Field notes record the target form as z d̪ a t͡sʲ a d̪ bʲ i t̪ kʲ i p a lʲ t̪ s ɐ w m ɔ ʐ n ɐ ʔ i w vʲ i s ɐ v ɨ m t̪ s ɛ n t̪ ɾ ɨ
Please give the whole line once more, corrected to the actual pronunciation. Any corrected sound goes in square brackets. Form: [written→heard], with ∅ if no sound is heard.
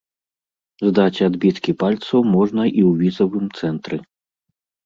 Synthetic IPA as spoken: z d̪ a t͡sʲ a d̪ bʲ i t̪ kʲ i p a lʲ t̪ s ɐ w m ɔ ʐ n ɐ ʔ i w vʲ i [s→z] ɐ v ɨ m t̪ s ɛ n t̪ ɾ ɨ